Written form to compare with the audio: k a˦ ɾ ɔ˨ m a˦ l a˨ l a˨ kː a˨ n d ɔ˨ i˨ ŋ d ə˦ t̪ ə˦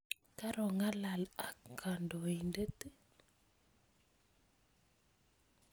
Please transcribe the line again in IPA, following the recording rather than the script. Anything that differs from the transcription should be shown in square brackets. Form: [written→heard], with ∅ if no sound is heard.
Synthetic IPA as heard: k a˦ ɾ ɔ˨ [m→ŋ] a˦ l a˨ l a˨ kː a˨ n d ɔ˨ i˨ [ŋ→n] d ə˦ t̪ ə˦